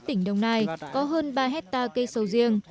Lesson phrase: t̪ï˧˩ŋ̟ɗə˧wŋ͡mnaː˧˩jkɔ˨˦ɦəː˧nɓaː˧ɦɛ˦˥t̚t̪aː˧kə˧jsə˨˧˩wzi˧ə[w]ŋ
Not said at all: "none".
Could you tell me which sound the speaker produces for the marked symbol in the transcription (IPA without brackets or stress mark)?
none